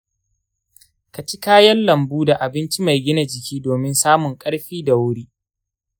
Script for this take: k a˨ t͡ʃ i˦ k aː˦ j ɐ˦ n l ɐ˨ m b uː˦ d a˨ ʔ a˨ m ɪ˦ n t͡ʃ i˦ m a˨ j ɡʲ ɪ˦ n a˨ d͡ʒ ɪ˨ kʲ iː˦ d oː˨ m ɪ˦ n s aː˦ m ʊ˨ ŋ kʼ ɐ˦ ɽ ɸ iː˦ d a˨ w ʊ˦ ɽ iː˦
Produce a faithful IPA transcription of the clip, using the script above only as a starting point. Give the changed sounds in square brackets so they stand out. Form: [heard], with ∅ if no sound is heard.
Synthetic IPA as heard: k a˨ t͡ʃ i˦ k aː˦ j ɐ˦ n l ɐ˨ m b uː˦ d a˨ ʔ a˨ [b] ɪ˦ n t͡ʃ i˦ m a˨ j ɡʲ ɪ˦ n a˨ d͡ʒ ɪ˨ kʲ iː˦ d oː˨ m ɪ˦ n s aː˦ m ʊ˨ ŋ kʼ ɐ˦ ɽ ɸ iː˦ d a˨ w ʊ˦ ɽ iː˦